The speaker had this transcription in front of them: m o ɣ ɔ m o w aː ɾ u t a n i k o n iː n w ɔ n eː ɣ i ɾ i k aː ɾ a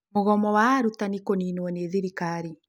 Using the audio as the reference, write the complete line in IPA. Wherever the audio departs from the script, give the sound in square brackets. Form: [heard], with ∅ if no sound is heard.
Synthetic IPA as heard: m o ɣ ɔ m [ɔ] w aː ɾ u t a n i k o n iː n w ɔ n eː [ð] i ɾ i k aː ɾ [i]